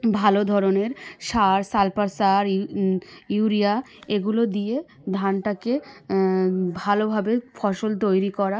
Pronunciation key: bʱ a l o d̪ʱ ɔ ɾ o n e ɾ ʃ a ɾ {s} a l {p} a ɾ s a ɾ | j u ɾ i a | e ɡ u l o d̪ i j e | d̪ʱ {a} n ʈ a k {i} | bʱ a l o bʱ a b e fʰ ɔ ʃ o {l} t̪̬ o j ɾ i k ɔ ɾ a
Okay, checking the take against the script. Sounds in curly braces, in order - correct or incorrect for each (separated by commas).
correct, correct, correct, incorrect, correct